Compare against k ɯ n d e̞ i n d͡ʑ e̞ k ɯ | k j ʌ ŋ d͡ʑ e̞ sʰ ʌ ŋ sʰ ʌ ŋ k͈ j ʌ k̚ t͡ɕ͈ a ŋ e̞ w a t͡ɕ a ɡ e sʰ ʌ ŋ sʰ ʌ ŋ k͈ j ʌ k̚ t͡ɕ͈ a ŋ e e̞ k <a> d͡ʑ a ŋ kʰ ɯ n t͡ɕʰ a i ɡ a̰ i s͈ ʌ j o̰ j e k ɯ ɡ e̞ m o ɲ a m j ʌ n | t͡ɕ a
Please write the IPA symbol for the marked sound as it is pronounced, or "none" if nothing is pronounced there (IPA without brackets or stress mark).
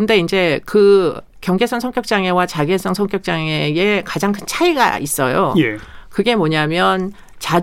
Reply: a